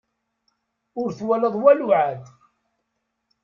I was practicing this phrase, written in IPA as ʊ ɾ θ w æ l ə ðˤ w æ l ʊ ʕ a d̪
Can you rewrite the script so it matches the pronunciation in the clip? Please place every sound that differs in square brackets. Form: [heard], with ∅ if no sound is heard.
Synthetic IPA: ʊ ɾ θ w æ l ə ðˤ w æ l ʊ ʕ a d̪